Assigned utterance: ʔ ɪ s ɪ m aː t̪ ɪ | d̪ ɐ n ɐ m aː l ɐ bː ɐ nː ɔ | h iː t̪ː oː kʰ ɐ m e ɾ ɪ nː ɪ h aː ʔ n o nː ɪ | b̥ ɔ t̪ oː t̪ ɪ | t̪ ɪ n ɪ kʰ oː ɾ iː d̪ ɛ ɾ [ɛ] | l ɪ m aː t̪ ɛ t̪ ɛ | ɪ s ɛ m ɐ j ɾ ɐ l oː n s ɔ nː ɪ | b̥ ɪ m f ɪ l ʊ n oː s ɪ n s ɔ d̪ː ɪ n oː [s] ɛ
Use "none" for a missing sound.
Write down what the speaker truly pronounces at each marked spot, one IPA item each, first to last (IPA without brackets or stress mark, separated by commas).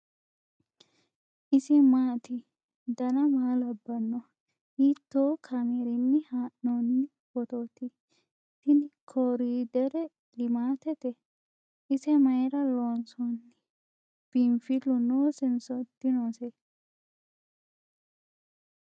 ɛ, s